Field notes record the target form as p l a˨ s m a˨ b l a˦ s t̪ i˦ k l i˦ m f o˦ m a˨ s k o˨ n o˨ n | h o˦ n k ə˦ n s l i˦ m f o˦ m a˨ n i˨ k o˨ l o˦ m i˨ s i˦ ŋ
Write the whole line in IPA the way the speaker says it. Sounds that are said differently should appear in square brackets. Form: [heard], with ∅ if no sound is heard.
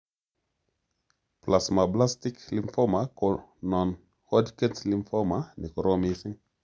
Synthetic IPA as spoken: p l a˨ s m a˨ b l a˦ s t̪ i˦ k l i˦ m f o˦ m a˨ [∅] k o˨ n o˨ n | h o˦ [d] k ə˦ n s l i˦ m f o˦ m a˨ n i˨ k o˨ [ɾ] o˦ m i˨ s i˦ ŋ